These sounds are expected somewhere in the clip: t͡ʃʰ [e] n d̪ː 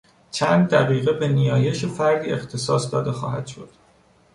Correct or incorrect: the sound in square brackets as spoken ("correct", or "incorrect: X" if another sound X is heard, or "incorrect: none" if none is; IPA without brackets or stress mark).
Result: incorrect: æ